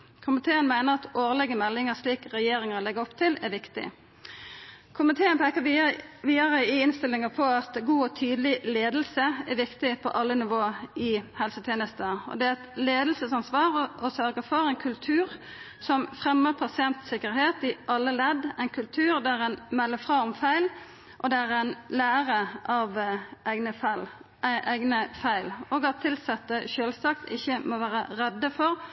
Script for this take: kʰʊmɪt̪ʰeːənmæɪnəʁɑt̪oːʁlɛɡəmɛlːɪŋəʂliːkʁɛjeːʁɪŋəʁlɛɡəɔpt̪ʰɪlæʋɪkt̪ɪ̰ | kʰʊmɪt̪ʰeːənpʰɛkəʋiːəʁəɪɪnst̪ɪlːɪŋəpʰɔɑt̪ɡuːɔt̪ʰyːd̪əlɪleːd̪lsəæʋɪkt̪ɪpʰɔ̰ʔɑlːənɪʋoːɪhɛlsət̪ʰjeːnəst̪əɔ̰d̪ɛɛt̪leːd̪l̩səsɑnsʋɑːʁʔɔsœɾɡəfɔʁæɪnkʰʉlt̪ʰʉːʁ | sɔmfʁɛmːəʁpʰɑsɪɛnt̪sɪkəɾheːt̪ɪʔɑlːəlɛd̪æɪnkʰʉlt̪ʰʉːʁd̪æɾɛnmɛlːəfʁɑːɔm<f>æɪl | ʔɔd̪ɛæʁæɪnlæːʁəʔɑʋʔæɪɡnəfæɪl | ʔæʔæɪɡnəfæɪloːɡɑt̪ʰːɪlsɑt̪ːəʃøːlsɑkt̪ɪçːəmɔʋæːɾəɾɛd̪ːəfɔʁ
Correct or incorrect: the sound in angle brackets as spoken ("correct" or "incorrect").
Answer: correct